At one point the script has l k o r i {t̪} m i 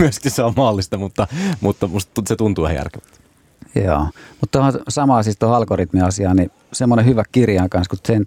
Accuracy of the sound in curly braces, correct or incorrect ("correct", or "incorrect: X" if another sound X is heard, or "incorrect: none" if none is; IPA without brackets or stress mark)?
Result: correct